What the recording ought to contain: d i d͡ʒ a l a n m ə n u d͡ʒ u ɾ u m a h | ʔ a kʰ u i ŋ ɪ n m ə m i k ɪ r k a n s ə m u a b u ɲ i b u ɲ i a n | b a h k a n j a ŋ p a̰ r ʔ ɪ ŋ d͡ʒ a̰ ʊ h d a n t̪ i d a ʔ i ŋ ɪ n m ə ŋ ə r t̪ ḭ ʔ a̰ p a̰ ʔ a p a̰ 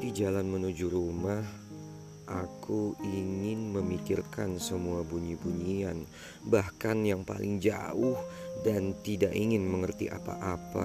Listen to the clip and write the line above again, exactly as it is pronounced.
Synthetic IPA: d i d͡ʒ a l a n m ə n u d͡ʒ u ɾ u m a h | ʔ a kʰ u i ŋ ɪ n m ə m i k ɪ r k a n s ə m u a b u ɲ i b u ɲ i a n | b a h k a n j a ŋ p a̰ l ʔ ɪ ŋ d͡ʒ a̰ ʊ h d a n t̪ i d a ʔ i ŋ ɪ n m ə ŋ ə r t̪ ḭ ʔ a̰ p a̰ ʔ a p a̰